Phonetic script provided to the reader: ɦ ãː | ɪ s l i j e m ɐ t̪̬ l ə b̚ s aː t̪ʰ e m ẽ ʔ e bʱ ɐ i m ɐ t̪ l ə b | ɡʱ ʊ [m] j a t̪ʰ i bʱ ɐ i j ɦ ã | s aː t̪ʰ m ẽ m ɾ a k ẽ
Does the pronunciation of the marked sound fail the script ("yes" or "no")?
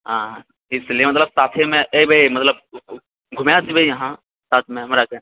no